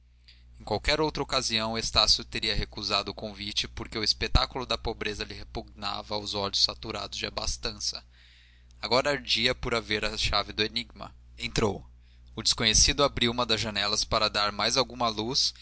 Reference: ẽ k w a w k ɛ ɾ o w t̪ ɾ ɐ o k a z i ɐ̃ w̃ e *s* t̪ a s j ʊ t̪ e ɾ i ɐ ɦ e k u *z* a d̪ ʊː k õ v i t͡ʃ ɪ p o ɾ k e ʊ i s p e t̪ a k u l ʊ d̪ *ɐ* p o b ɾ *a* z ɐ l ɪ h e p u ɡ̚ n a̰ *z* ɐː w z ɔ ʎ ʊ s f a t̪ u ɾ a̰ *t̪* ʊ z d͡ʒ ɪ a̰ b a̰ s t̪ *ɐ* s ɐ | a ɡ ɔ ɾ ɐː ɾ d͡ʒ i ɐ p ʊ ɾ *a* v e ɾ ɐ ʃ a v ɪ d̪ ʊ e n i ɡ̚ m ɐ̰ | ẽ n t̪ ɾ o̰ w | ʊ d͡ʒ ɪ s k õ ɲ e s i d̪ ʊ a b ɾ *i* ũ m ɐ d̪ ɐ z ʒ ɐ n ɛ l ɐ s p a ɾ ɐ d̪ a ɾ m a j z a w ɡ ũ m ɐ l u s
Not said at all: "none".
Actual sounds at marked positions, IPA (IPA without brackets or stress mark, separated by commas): s, z, ɐ, e, v, d̪, ɐ̃, a, i